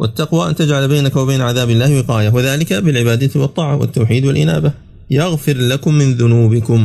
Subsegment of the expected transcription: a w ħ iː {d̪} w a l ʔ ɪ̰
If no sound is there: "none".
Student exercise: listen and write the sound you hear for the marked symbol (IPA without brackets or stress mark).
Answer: d̪